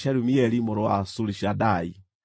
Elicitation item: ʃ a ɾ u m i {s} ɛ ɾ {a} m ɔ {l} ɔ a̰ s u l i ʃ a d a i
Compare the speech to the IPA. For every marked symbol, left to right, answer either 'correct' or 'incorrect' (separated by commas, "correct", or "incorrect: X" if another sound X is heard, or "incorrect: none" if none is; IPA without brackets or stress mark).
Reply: incorrect: none, incorrect: i, incorrect: ɾ